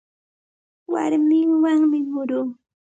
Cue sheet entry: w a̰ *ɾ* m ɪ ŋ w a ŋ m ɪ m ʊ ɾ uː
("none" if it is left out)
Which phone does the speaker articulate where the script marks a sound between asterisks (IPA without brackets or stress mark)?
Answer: ɾ